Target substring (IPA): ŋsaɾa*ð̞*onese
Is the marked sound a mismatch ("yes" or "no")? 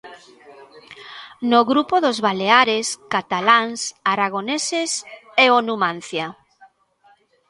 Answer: yes